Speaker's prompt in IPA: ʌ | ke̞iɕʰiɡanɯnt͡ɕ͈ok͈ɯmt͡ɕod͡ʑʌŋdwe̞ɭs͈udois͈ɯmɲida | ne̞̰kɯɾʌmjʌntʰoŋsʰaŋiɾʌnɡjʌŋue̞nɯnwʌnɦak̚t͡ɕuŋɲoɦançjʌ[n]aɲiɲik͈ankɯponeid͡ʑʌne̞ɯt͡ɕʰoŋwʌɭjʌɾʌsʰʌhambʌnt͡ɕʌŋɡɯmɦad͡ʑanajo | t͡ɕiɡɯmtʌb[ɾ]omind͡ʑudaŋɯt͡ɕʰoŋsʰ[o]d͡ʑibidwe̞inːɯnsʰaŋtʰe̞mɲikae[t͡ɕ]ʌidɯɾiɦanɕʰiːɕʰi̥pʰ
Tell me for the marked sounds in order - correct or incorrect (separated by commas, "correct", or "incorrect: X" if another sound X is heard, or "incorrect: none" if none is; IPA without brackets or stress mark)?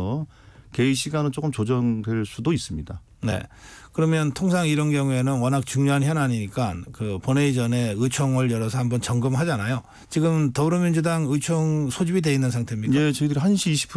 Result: correct, correct, correct, correct